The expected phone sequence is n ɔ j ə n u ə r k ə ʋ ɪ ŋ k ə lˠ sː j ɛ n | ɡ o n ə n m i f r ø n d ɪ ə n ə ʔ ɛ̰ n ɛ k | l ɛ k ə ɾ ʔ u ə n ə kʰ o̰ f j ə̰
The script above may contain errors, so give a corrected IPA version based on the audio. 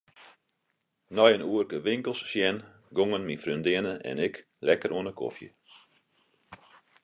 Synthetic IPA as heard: n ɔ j ə n u ə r k ə ʋ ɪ ŋ k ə lˠ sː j ɛ n | ɡ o ŋ ə n m i f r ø n d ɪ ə n ə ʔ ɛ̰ n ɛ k | l ɛ k ə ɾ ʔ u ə n ə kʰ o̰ f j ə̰